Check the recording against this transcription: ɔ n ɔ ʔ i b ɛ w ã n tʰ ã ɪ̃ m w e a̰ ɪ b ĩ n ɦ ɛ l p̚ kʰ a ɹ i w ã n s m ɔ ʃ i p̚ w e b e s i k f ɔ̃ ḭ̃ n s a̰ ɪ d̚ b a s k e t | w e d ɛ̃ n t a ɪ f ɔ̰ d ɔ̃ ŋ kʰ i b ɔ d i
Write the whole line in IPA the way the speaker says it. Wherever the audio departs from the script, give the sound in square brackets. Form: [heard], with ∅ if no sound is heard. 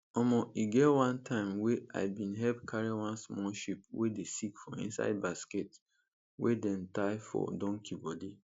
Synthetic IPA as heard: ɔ [m] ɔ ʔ i [ɡ] ɛ w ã n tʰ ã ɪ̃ m w e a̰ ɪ b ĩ n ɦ ɛ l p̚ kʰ a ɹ i w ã n s m ɔ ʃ i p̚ w e [d] e s i k f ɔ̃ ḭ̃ n s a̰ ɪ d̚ b a s k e t | w e d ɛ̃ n t a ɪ f ɔ̰ d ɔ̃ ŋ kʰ i b ɔ d i